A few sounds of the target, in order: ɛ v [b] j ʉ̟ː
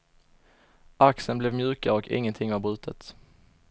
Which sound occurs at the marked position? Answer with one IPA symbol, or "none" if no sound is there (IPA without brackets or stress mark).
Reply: m